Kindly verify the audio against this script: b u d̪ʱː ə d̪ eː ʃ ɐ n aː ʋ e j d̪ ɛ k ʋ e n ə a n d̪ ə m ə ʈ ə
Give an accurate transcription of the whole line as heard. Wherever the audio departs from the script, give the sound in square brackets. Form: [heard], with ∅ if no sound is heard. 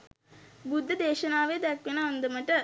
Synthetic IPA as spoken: b u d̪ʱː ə d̪ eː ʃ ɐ n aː ʋ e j d̪ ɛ k ʋ e n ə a n d̪ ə m ə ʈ ə